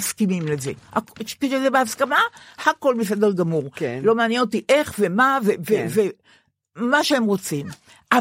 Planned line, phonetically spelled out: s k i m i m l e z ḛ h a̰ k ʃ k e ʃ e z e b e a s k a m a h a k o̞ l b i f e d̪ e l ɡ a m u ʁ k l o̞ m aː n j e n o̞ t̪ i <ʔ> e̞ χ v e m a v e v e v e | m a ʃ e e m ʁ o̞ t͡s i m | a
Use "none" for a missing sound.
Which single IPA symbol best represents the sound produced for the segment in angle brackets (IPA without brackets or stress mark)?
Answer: ʔ